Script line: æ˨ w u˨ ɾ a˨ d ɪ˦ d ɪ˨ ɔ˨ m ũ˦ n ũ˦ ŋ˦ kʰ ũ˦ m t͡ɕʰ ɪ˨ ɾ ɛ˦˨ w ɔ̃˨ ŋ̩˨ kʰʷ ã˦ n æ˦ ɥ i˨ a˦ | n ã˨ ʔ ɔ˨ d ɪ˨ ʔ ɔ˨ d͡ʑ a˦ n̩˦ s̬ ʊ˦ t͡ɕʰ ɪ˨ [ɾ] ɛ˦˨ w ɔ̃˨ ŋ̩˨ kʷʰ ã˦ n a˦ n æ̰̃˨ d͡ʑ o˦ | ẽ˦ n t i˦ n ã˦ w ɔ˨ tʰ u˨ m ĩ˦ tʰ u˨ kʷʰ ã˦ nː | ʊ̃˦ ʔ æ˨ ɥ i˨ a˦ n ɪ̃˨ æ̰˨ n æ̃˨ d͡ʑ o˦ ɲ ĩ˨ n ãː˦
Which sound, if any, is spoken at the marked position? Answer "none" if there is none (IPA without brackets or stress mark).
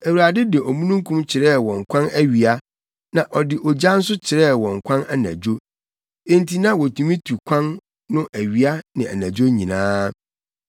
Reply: ɾ